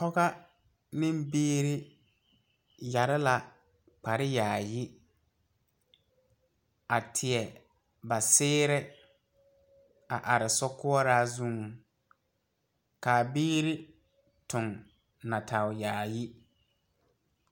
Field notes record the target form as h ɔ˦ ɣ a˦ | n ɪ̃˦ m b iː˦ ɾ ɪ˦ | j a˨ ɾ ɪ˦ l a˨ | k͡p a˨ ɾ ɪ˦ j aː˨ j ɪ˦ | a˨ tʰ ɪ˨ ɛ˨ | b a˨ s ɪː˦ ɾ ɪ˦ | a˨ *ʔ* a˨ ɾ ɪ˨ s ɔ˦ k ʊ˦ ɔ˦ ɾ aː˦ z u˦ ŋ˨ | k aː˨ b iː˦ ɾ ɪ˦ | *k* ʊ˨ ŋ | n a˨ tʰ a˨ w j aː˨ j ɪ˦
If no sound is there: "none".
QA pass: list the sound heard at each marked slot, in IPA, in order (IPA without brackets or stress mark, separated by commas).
ʔ, t